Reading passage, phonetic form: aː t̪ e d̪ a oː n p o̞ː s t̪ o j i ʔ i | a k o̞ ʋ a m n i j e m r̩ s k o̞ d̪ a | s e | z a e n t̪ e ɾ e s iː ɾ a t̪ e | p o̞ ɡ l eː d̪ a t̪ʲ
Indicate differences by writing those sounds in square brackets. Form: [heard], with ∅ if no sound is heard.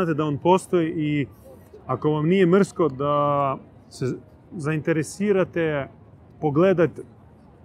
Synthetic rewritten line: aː t̪ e d̪ a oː n p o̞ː s t̪ o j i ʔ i | a k o̞ ʋ a m n i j e m r̩ s k o̞ d̪ a | s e | z a [i] n t̪ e ɾ e s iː ɾ a t̪ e | p o̞ ɡ l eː d̪ a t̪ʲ